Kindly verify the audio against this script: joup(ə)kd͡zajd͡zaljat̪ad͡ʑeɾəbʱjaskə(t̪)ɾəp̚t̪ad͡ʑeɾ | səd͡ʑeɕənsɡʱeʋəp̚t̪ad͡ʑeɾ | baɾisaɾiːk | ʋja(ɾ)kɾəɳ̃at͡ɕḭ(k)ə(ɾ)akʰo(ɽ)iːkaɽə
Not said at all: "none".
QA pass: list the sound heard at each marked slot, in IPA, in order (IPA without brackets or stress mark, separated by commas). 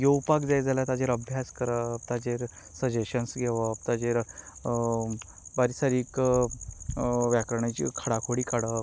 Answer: a, none, none, kʰ, ɽ, ɽ